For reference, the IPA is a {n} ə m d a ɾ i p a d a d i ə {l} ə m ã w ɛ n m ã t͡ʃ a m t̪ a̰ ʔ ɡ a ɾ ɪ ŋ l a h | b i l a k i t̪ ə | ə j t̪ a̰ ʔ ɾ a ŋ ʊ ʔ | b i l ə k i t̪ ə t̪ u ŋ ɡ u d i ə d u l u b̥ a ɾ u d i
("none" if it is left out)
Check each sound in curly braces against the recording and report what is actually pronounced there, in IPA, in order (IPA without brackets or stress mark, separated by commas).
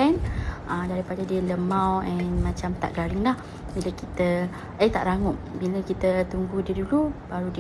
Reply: n, l